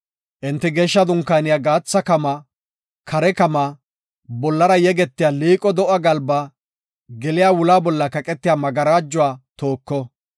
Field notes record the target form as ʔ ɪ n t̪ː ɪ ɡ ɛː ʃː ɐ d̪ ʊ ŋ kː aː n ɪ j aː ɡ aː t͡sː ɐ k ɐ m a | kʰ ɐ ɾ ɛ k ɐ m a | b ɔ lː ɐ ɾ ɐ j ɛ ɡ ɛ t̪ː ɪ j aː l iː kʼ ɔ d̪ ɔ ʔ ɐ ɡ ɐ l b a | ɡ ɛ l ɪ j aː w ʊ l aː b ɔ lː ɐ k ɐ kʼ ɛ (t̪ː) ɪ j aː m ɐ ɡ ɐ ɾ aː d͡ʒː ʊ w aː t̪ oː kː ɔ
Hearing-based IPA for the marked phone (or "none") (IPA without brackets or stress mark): t̪ː